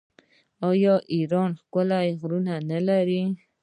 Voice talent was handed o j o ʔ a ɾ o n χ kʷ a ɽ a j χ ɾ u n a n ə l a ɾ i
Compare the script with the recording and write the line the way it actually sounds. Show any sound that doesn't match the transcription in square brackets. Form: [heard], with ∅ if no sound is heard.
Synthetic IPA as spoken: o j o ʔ [i] ɾ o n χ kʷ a [l] a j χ ɾ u n a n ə l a ɾ i

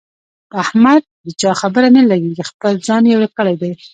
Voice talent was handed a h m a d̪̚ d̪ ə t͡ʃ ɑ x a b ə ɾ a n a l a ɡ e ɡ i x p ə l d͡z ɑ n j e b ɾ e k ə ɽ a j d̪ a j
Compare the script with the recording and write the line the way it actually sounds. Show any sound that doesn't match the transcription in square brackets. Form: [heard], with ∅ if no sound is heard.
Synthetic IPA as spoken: a h m a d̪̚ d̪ ə t͡ʃ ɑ x a b ə ɾ a n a l a ɡ e ɡ i x p ə l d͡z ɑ n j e [w] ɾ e k ə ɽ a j d̪ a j

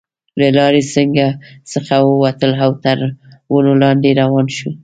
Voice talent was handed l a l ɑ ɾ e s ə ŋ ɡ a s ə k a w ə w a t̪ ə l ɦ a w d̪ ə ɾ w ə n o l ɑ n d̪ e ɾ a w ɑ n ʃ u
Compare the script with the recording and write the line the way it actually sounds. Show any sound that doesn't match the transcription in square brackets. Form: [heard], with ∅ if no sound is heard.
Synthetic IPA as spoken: l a l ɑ ɾ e s ə ŋ ɡ a s ə [x] a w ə w a t̪ ə l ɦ a w [t̪] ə ɾ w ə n o l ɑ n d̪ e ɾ a w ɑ n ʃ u

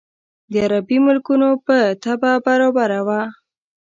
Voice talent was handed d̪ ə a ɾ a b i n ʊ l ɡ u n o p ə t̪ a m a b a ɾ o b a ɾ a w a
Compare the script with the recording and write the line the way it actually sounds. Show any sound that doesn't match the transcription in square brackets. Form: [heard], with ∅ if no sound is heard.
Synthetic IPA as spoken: d̪ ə a ɾ a b i [m] ʊ l [k] u n o p ə t̪ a [b] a b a ɾ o b a ɾ a w a

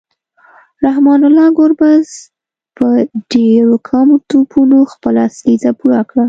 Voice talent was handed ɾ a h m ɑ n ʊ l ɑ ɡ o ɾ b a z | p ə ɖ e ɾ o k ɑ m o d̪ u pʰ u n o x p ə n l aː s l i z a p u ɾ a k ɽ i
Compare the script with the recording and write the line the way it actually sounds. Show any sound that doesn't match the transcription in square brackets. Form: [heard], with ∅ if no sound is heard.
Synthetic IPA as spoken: ɾ a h m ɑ n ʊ l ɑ ɡ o ɾ b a z | p ə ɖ e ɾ o [kʰ] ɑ m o [t̪] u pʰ u n o x p ə [∅] l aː s l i z a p u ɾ a k ɽ [a]

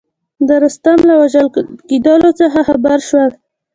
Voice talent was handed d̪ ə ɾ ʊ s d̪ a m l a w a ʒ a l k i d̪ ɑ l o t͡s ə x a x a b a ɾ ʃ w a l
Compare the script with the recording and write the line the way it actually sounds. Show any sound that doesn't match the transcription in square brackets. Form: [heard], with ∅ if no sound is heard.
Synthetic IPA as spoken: d̪ ə ɾ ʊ s [t̪] a m l a w a ʒ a l k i d̪ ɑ l o t͡s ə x a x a b a ɾ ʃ w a l

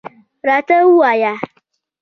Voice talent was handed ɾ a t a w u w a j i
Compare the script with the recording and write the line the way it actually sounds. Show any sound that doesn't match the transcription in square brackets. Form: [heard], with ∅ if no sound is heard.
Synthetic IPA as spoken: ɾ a t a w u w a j [a]

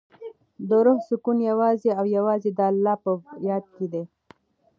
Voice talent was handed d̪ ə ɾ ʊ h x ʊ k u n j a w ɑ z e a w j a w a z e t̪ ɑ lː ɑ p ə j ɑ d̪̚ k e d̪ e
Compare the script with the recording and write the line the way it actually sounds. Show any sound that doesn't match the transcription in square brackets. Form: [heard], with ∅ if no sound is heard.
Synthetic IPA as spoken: d̪ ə ɾ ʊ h [s] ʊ k u n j a w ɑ z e a w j a w [ɑ] z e [d̪] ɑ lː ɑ p ə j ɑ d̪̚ k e d̪ e

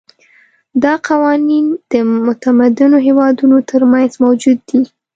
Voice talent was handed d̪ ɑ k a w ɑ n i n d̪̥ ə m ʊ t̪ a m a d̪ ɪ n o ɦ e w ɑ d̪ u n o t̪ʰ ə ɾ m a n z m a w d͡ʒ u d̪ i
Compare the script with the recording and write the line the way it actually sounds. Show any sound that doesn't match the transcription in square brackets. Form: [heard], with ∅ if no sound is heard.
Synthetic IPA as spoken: d̪ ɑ [q] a w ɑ n i n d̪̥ ə m ʊ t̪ a m a d̪ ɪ n o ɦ e w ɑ d̪ u n o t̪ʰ ə ɾ m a n z m a w d͡ʒ u [d̪ː] i

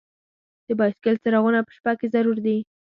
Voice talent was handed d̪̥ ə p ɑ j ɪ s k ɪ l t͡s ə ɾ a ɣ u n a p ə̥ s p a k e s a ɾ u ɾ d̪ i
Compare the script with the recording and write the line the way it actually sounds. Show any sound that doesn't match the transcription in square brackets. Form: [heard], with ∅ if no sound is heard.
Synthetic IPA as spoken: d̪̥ ə [b] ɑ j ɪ s k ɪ l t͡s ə ɾ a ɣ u n a p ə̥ [ʃ] p a k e [z] a ɾ u ɾ d̪ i

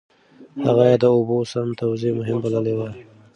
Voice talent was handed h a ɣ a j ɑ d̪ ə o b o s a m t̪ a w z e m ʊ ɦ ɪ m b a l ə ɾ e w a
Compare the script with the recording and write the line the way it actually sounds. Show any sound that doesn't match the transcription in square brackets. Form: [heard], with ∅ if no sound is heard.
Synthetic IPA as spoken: h a ɣ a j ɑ d̪ ə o b o s a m t̪ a w z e m ʊ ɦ ɪ m b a l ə [l] e w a

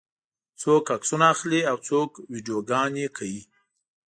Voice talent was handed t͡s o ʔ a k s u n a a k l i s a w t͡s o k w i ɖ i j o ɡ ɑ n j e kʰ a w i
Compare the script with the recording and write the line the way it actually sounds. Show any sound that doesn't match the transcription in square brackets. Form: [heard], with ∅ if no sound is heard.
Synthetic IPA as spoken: t͡s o [k] a k s u n a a [x] l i [∅] a w t͡s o k w i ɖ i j o ɡ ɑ n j e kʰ a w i

